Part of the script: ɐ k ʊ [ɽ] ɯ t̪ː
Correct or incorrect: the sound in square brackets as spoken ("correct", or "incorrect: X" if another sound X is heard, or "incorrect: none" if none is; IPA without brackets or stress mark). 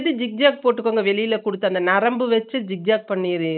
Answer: correct